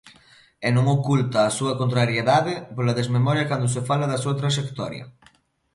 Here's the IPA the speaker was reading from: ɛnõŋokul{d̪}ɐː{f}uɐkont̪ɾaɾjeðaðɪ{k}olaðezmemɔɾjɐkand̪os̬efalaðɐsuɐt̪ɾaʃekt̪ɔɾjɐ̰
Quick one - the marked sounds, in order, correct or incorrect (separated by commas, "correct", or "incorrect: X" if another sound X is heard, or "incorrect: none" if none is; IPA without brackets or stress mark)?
incorrect: t̪, incorrect: s, incorrect: p